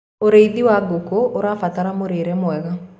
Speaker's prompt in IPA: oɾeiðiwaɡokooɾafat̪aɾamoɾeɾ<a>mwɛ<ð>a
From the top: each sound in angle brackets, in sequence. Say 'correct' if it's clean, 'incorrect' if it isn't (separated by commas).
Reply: incorrect, incorrect